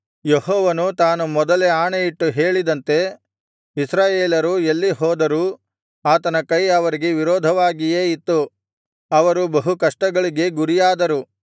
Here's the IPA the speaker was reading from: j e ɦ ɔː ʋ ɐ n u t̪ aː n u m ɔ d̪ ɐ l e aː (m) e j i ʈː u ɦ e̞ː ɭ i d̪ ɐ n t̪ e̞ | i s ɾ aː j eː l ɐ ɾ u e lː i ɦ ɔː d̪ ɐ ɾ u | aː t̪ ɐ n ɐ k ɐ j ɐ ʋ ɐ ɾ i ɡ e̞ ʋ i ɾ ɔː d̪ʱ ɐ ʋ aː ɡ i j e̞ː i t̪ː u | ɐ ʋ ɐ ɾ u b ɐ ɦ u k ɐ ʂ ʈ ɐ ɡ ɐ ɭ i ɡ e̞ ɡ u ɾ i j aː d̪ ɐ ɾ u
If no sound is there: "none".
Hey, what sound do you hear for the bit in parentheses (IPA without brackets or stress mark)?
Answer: ɳ